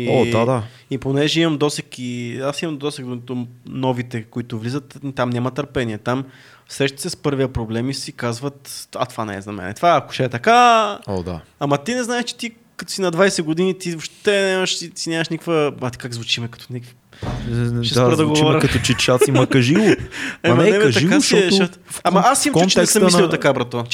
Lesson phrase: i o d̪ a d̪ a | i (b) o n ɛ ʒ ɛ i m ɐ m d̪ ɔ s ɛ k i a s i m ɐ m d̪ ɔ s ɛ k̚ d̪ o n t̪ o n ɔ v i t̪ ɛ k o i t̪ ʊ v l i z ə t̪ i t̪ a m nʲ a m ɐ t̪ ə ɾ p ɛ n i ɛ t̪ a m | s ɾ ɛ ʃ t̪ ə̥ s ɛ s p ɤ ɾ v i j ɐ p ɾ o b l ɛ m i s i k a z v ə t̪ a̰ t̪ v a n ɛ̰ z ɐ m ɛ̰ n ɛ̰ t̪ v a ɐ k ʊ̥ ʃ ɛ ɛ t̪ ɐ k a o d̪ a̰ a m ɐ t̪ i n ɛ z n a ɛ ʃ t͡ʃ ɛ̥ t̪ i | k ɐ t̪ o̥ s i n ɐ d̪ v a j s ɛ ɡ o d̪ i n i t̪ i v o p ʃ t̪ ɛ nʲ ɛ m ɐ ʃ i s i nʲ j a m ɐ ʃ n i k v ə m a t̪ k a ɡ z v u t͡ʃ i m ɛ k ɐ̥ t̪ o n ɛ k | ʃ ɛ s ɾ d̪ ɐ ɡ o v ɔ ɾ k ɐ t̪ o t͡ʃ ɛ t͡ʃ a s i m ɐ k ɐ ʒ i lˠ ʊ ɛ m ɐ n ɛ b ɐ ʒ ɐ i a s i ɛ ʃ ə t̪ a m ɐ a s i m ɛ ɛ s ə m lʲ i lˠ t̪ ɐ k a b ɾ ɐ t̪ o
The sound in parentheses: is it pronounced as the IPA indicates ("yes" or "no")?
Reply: no